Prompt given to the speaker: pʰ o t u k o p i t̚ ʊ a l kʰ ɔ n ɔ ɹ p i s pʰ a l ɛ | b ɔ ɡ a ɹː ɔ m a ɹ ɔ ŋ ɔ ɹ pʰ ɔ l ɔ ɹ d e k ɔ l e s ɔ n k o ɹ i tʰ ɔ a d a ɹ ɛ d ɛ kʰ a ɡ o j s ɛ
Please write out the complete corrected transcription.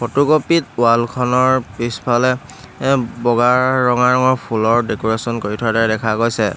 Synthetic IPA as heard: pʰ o t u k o p i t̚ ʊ a l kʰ ɔ n ɔ ɹ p i s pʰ a l ɛ | b ɔ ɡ a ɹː ɔ ŋ a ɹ ɔ ŋ ɔ ɹ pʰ u l ɔ ɹ d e k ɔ ɹ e s ɔ n k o ɹ i tʰ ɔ a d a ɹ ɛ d ɛ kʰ a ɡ o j s ɛ